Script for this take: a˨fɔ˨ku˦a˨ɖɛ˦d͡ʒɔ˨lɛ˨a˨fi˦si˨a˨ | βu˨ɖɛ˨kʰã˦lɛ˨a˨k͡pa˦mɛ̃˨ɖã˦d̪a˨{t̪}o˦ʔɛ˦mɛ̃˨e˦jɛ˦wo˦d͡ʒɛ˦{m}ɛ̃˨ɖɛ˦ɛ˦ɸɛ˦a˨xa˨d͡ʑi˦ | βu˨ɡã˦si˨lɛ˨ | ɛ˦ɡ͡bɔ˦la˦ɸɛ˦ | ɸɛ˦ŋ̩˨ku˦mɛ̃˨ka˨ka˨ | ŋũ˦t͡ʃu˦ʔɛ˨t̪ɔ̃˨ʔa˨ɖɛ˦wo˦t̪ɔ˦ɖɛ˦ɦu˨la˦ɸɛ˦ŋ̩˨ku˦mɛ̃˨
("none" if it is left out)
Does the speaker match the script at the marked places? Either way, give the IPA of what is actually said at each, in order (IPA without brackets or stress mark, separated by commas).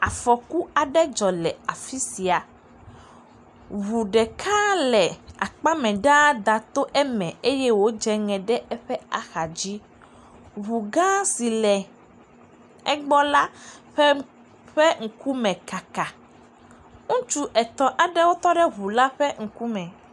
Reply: t̪, ŋ